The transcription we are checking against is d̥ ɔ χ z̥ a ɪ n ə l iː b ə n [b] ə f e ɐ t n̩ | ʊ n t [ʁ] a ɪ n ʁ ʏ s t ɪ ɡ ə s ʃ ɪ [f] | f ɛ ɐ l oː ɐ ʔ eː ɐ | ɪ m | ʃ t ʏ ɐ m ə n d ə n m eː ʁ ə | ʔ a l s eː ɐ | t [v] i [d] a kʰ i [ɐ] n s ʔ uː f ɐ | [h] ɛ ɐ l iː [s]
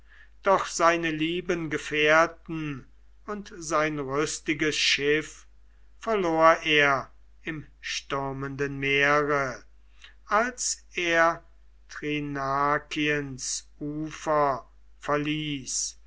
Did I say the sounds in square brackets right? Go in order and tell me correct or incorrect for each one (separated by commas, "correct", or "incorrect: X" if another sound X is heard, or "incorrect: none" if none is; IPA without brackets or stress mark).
incorrect: ɡ, incorrect: z, correct, incorrect: ʁ, incorrect: n, incorrect: ə, incorrect: f, correct